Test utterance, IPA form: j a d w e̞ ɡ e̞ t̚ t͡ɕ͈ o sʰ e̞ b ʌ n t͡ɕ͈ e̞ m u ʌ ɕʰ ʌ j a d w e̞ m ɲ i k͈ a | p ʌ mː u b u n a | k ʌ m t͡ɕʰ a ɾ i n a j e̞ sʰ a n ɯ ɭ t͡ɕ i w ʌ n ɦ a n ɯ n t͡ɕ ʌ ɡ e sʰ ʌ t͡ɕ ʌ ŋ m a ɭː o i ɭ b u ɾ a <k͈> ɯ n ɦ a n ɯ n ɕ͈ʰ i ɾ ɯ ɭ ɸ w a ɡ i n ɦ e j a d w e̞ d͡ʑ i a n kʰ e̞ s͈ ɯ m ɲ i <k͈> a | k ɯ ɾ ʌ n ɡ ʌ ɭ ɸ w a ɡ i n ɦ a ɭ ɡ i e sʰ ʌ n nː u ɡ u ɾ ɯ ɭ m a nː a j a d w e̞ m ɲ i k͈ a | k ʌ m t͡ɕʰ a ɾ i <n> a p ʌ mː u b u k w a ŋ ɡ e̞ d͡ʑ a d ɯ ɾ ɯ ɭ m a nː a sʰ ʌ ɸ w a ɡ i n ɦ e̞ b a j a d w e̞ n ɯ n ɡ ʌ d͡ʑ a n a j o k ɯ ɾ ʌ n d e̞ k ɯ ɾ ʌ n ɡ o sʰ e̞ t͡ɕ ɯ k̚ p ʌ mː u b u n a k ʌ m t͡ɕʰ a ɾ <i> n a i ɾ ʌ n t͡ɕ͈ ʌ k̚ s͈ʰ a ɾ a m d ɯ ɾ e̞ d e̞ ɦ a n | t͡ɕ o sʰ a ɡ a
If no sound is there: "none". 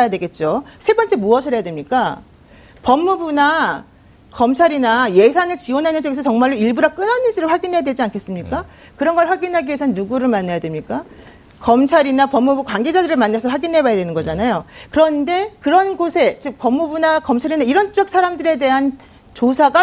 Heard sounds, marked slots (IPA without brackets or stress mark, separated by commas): k͈, k͈, n, i